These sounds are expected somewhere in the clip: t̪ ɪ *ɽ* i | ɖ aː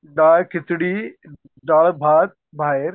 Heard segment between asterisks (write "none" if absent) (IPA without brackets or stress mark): ɽ